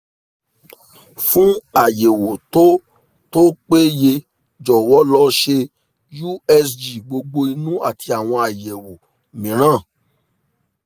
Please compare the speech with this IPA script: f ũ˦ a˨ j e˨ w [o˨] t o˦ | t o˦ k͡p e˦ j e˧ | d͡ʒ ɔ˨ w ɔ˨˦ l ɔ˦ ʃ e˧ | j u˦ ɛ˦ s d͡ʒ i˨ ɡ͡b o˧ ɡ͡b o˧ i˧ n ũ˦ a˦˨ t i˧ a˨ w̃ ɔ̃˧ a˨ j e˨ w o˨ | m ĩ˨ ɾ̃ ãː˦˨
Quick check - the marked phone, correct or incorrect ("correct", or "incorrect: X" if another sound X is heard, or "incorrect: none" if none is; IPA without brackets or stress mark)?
correct